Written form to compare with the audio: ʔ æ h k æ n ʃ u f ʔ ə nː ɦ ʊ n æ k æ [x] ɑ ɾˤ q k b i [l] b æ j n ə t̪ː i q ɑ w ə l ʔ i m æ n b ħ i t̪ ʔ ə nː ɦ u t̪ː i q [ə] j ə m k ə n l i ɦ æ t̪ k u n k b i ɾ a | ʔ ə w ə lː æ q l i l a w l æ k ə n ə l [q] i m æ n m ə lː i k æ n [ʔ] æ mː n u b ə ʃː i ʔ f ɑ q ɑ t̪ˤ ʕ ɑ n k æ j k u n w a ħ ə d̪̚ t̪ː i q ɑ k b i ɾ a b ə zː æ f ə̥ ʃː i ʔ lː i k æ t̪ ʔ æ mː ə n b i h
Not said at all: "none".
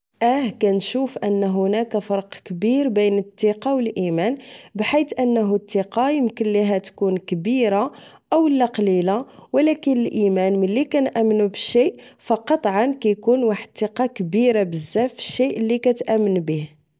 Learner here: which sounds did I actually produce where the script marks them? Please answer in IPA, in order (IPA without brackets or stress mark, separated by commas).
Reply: f, ɾ, ɑ, ʔ, ʔ